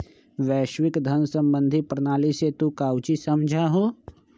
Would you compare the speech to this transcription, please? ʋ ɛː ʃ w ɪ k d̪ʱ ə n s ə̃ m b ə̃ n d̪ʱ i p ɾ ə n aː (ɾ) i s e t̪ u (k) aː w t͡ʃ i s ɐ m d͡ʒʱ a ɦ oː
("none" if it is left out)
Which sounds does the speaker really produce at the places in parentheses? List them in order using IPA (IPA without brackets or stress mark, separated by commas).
l, k